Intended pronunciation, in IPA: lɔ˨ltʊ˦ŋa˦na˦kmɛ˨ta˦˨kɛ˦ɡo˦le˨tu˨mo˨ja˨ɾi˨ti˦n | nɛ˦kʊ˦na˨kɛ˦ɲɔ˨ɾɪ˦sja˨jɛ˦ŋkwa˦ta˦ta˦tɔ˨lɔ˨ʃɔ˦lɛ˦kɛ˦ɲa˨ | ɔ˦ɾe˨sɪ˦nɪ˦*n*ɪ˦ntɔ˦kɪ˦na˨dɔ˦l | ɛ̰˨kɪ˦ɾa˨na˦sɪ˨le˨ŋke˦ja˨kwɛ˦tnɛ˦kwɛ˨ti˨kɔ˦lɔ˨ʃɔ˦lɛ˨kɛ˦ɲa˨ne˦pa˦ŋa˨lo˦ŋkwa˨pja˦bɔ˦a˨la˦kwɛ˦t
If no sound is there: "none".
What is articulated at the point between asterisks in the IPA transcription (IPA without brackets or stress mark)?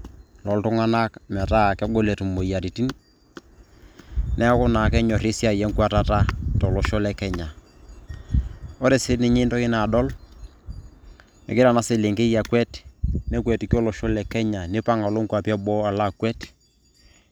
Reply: ɲ